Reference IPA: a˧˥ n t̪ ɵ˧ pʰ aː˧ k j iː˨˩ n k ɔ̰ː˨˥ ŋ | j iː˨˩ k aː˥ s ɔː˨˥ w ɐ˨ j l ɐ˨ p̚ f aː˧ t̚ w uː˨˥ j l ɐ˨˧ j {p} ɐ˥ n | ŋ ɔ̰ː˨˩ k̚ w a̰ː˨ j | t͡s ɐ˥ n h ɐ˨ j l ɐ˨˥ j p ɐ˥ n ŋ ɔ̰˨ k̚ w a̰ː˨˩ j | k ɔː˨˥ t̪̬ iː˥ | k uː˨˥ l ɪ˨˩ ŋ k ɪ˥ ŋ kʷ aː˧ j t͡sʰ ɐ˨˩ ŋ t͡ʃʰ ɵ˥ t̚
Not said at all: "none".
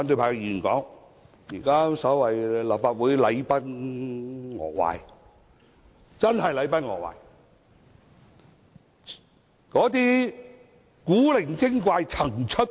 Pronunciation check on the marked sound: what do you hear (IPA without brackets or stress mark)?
p